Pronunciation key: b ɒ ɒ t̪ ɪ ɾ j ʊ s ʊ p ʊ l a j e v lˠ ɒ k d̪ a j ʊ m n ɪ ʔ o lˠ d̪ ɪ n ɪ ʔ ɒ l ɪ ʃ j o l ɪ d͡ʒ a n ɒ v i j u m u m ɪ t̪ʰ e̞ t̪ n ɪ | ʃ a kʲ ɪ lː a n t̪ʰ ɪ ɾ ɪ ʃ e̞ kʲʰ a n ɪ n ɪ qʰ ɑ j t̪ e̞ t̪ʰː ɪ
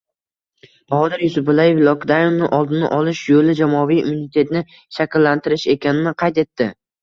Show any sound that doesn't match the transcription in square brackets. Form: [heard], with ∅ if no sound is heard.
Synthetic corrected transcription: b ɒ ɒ [d̪] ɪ ɾ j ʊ s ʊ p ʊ l a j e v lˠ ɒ k d̪ a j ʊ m n ɪ ʔ [ɒ] lˠ d̪ ɪ n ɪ ʔ ɒ l ɪ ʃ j o l ɪ d͡ʒ a [m] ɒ v i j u m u [n] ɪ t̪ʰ e̞ t̪ n ɪ | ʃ a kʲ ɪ lː a n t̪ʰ ɪ ɾ ɪ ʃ e̞ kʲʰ a n ɪ n ɪ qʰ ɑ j t̪ e̞ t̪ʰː ɪ